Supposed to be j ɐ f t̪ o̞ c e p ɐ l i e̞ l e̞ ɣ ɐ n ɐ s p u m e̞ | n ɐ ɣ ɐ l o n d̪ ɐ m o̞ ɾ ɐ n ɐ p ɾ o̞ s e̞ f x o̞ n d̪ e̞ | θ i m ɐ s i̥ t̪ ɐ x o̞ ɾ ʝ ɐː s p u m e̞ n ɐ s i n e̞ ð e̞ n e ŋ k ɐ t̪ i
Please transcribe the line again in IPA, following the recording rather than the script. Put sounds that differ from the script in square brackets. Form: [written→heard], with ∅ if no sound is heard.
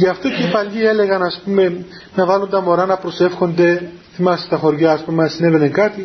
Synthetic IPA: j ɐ f t̪ o̞ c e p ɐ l i e̞ l e̞ ɣ ɐ n ɐ s p u m e̞ | n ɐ [ɣ→v] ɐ l o n d̪ ɐ m o̞ ɾ ɐ n ɐ p ɾ o̞ s e̞ f x o̞ n d̪ e̞ | θ i m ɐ s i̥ t̪ ɐ x o̞ ɾ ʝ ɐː s p u m e̞ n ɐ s i n e̞ [ð→v] e̞ n e ŋ k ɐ t̪ i